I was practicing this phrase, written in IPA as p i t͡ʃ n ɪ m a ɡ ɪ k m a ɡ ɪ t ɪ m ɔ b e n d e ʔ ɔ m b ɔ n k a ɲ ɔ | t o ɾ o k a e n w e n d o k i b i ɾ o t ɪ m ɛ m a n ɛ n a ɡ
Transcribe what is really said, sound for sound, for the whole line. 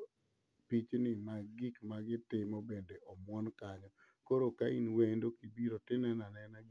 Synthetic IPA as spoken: p i t͡ʃ n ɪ m a ɡ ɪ k m a ɡ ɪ t ɪ m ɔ b e n d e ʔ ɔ m w ɔ n k a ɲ ɔ | k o ɾ o k a i n w e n d o k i b i ɾ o t ɪ n ɛ n a n ɛ n a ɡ